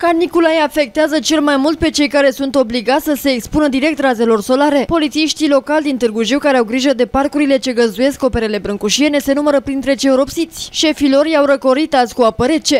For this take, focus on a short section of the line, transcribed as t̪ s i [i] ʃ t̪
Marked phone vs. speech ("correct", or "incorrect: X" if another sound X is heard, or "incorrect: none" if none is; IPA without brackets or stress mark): correct